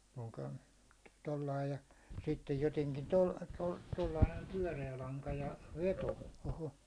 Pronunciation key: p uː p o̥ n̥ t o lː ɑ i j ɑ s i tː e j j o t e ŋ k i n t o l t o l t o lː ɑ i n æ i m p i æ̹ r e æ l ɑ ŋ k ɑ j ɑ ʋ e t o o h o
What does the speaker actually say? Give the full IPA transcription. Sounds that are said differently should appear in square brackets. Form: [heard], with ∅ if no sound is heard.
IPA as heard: p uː [k] o̥ n̥ t o lː ɑ i j ɑ s i tː e j j o t e ŋ k i n t o l t o l t o lː ɑ i n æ i m p [y] æ̹ r e æ l ɑ ŋ k ɑ j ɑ ʋ e t o o h o